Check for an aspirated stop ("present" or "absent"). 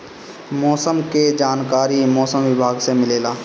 absent